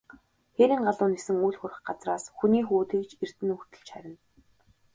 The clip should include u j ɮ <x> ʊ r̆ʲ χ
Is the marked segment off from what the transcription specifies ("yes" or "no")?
no